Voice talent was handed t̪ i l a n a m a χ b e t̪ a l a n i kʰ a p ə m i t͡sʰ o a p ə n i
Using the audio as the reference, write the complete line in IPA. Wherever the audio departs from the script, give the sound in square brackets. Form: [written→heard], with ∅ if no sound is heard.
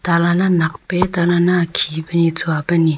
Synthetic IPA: t̪ [i→a] l a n a [m→n] a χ [b→p] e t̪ a l a n [i→a] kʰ [a→i] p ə [m→n] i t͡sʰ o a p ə n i

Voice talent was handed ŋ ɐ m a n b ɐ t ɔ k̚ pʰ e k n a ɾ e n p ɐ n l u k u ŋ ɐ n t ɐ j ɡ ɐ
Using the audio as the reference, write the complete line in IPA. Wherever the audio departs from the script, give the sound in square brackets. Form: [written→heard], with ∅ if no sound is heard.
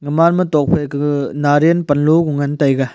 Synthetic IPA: ŋ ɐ m a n [b→m] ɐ t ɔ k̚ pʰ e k n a ɾ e n p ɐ n l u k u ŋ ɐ n t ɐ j ɡ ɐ

